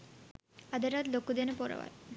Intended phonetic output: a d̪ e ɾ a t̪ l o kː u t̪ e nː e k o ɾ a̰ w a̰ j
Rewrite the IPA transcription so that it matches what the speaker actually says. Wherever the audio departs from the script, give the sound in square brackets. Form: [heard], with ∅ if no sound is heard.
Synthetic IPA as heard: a d̪ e ɾ a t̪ l o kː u [d̪] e [n] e [p] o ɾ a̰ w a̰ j